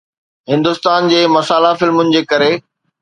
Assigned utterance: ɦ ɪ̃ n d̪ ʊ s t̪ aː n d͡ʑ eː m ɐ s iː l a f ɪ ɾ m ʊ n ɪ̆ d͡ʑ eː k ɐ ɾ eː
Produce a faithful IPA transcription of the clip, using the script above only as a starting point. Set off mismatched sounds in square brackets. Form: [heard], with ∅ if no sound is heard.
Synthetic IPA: ɦ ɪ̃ n d̪ ʊ s t̪ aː n d͡ʑ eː m ɐ s [aː] l a f ɪ [l] m ʊ n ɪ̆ d͡ʑ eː k ɐ ɾ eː

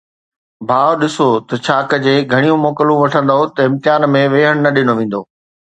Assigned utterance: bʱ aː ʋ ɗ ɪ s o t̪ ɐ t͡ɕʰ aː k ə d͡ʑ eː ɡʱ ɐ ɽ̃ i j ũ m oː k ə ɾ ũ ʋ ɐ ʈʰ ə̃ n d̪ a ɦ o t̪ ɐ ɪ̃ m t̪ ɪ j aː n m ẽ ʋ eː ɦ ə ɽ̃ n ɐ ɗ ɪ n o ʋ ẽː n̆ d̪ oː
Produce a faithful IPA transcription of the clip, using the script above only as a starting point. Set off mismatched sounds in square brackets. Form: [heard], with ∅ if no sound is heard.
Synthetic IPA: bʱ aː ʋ ɗ ɪ s o t̪ ɐ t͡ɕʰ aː k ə d͡ʑ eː ɡʱ ɐ ɽ̃ i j ũ m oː k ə [l] ũ ʋ ɐ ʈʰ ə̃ n d̪ a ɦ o t̪ ɐ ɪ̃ m t̪ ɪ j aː n m ẽ ʋ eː ɦ ə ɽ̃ n ɐ ɗ ɪ n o ʋ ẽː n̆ d̪ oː

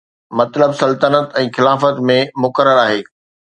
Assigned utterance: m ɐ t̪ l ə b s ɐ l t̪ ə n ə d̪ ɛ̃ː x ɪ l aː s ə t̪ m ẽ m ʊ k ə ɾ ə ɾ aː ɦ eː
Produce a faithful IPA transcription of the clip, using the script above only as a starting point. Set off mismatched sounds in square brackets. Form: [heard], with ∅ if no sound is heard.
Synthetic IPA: m ɐ t̪ l ə b s ɐ l t̪ ə n ə [t̪] ɛ̃ː x ɪ l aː [f] ə t̪ m ẽ m ʊ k ə ɾ ə ɾ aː ɦ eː

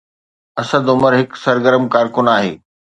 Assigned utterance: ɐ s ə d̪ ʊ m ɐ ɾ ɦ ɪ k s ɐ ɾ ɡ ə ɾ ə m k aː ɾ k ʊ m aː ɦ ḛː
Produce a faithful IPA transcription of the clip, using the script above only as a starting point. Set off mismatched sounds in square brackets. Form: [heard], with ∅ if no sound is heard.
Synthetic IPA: ɐ s ə d̪ ʊ m [ə] ɾ ɦ ɪ k s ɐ ɾ ɡ ə ɾ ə m k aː ɾ k ʊ [n] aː ɦ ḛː

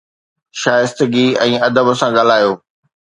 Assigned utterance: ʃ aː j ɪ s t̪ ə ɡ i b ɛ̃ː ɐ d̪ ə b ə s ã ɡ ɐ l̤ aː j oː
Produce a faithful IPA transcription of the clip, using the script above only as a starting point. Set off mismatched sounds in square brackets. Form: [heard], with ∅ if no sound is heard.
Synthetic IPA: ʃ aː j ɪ s t̪ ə ɡ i [∅] ɛ̃ː ɐ d̪ ə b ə s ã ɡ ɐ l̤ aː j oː

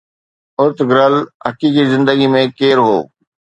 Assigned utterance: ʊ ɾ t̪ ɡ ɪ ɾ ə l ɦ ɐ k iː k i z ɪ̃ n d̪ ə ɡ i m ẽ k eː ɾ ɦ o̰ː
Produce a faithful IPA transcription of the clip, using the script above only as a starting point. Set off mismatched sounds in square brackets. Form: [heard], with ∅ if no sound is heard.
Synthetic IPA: ʊ ɾ t̪ ɡ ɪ ɾ ə l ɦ ɐ k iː k i z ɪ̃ n d̪ ə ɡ i m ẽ k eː ɾ ɦ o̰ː

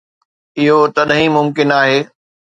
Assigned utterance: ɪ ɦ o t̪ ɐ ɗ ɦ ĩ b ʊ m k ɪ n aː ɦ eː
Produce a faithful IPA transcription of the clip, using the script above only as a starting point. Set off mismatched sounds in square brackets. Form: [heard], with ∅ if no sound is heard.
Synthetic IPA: ɪ ɦ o t̪ ɐ ɗ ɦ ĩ [m] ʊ m k ɪ n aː ɦ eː

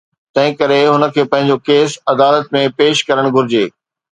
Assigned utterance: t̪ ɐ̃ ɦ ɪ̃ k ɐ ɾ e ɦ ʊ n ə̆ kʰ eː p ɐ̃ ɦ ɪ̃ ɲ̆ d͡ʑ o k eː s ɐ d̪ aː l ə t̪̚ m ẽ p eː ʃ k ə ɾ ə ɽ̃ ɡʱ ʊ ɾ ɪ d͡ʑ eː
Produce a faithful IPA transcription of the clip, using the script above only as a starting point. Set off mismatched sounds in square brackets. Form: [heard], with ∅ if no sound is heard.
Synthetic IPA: t̪ ɐ̃ ɦ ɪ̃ k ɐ ɾ e ɦ ʊ n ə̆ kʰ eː p ɐ̃ ɦ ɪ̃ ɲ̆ d͡ʑ o k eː s ɐ d̪ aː l ə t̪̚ m ẽ p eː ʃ k [ɐ] ɾ ə ɽ̃ ɡʱ ʊ ɾ ɪ d͡ʑ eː

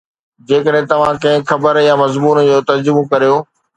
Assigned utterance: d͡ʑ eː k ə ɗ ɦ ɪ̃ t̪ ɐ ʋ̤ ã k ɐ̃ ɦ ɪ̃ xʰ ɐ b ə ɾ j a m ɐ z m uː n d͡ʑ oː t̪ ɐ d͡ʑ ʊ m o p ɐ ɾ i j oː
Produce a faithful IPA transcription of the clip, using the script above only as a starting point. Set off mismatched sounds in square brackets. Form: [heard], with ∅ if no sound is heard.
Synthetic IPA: d͡ʑ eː k ə ɗ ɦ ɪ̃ t̪ ɐ ʋ̤ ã k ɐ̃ ɦ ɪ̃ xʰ ɐ b ə ɾ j a m ɐ z m uː n d͡ʑ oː t̪ ɐ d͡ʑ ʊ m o [k] ɐ ɾ i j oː

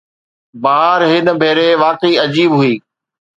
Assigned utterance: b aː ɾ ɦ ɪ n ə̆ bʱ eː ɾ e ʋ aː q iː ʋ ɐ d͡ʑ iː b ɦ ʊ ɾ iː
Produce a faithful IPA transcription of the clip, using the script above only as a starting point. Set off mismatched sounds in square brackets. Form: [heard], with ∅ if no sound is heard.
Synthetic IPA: b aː ɾ ɦ ɪ n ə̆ bʱ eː ɾ e ʋ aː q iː [∅] ɐ d͡ʑ iː b ɦ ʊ [∅] iː

